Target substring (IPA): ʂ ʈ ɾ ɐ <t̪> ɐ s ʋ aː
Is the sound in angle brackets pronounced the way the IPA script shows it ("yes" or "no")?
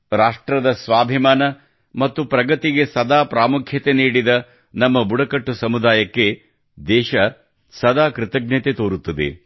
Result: no